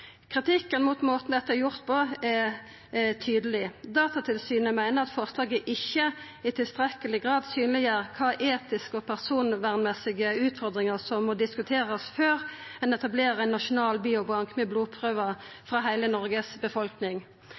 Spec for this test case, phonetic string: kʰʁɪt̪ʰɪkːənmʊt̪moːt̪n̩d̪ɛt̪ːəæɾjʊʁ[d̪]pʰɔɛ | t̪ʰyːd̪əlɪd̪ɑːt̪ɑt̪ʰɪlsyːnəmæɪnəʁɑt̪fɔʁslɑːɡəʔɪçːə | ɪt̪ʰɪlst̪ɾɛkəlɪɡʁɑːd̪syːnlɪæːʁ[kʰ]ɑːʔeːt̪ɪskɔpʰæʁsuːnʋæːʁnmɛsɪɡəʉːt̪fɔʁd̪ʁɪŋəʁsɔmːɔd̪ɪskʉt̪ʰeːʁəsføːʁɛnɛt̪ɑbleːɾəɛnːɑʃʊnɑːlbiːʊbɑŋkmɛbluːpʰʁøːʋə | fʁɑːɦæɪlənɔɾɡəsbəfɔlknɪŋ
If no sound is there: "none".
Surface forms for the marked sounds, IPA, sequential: t̪, kʰ

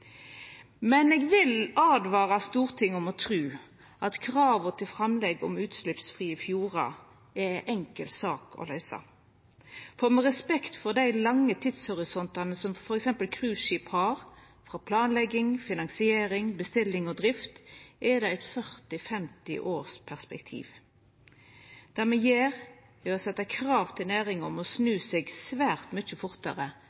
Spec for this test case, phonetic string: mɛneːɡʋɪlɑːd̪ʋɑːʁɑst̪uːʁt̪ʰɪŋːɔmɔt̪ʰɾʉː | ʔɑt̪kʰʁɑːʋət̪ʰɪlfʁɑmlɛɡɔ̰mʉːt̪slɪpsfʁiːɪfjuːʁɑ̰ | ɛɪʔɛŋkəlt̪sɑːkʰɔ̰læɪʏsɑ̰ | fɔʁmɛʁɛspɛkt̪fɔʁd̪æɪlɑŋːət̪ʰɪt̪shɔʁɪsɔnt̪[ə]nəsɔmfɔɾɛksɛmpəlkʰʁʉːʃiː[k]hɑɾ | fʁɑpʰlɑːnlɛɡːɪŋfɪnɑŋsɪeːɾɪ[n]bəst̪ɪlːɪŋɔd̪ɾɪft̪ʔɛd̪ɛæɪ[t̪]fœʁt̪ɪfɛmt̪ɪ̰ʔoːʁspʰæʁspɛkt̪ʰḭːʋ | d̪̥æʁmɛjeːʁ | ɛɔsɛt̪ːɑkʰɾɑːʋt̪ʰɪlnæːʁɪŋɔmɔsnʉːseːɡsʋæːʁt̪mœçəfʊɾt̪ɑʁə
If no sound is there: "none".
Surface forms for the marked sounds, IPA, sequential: ɑ, p, ŋ, t̪

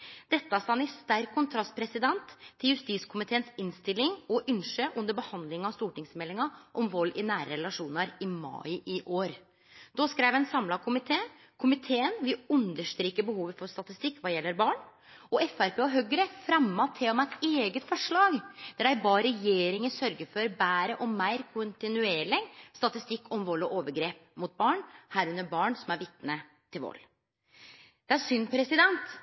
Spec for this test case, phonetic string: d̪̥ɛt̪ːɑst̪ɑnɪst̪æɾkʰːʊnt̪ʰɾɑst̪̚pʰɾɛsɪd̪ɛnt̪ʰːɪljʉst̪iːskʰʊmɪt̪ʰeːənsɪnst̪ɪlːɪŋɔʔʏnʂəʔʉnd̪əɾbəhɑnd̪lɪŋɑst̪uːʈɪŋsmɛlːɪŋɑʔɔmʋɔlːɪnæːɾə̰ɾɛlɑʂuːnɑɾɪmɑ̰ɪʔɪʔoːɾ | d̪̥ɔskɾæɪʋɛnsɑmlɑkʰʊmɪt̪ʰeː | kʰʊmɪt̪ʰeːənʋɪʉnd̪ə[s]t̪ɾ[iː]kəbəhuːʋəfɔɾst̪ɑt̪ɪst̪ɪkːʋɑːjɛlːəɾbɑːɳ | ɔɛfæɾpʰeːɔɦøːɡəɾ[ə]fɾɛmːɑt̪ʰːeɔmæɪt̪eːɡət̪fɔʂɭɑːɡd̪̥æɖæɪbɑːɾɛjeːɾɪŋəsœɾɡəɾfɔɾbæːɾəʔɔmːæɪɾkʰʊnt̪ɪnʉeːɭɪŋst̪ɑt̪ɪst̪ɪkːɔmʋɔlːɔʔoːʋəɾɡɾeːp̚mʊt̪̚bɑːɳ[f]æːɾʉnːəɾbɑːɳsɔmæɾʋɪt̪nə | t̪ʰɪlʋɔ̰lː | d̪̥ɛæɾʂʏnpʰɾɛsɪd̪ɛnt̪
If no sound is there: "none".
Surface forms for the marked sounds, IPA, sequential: ʂ, iː, ə, h

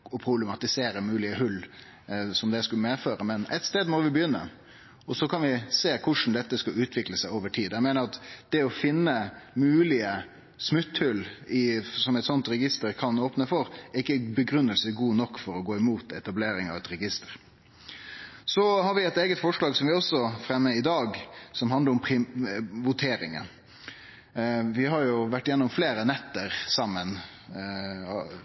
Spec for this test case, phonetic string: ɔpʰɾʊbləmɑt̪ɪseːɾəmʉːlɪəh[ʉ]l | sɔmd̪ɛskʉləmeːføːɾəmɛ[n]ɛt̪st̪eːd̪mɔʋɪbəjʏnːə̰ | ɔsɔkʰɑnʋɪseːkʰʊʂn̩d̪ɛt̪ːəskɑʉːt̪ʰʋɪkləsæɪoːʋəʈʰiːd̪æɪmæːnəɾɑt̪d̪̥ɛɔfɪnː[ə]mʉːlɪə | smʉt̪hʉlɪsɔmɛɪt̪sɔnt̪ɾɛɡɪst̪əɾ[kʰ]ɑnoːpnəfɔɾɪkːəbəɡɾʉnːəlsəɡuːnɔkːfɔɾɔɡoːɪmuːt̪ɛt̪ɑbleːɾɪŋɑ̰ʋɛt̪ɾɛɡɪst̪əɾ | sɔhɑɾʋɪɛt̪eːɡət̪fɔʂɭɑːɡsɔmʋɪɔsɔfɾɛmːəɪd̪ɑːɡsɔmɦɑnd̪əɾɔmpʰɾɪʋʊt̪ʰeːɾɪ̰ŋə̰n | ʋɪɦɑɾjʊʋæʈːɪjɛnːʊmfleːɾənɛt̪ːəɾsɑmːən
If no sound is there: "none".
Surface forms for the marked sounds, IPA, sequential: ʉ, n, ə, kʰ

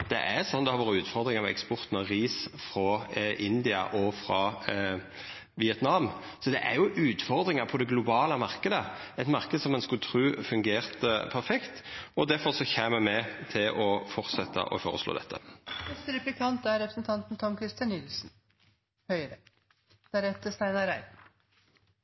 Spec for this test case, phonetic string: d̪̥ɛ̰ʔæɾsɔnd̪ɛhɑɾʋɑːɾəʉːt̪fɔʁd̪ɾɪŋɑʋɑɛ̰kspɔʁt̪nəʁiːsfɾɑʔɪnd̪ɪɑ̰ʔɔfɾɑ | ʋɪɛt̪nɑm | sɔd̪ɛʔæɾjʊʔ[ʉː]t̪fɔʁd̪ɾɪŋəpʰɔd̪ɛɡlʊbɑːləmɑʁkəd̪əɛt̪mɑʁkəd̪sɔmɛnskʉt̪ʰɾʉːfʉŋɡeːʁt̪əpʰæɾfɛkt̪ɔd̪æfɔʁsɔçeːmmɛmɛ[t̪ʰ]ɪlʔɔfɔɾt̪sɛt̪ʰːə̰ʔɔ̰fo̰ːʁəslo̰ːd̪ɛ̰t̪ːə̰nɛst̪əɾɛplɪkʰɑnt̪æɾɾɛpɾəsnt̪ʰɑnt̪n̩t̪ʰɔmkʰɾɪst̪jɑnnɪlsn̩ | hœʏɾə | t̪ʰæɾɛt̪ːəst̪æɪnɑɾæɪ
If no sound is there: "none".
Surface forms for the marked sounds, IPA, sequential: ʉː, t̪ʰ

